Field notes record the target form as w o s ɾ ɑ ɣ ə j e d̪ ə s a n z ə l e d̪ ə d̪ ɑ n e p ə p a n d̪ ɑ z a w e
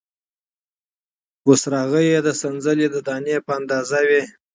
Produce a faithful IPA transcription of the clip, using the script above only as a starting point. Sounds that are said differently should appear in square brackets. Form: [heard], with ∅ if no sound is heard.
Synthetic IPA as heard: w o s ɾ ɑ ɣ ə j e d̪ ə s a n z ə l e d̪ ə d̪ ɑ n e p ə [∅] a n d̪ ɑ z a w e